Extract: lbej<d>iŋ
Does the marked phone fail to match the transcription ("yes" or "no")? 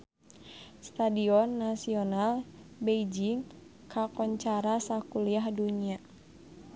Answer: yes